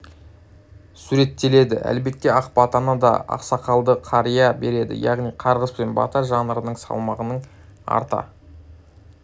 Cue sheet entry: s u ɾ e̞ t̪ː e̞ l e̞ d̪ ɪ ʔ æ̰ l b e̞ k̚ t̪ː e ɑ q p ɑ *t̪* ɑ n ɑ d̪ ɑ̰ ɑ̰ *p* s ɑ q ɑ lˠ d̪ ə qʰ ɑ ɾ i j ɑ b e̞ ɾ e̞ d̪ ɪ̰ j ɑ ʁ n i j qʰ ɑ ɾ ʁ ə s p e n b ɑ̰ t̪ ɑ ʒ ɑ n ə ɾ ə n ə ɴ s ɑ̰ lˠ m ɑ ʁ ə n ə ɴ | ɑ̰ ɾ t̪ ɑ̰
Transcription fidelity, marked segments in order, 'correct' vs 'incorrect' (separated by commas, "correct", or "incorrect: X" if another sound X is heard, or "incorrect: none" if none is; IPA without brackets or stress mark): correct, incorrect: q